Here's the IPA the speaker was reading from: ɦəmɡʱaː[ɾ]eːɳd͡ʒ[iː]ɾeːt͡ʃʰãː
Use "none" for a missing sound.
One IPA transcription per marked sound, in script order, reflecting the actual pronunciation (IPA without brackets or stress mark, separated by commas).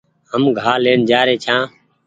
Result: l, aː